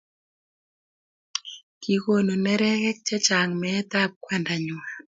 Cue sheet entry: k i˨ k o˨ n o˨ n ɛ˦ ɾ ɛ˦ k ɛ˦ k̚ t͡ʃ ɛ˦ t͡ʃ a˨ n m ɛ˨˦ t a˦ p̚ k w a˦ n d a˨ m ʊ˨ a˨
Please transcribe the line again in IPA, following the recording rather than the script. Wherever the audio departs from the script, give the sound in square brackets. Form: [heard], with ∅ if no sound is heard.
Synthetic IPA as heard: k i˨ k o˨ n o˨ n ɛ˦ ɾ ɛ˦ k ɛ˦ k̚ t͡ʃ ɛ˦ t͡ʃ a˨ [ŋ] m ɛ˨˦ t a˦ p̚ k w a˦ n d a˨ [ɲ] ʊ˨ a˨